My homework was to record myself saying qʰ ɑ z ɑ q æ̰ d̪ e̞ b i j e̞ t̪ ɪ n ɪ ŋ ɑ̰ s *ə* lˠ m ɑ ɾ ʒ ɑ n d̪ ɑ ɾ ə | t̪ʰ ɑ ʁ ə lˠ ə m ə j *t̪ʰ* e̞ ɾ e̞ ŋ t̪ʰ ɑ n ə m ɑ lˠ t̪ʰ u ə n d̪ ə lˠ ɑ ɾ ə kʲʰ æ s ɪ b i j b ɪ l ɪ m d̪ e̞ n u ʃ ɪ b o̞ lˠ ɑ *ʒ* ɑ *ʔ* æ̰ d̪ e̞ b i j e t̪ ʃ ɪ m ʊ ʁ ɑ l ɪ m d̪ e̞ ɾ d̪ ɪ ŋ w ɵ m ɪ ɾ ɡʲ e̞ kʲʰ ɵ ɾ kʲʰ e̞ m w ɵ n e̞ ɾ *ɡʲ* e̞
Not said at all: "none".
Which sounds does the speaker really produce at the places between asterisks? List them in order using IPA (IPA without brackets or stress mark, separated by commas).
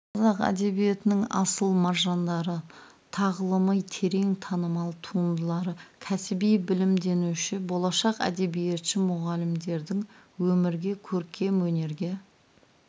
ə, t̪ʰ, ʃ, q, ɡʲ